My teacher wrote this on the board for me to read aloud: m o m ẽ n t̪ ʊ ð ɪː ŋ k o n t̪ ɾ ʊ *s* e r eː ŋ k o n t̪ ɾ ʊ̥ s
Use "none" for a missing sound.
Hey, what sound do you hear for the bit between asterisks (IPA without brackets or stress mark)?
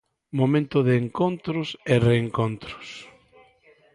s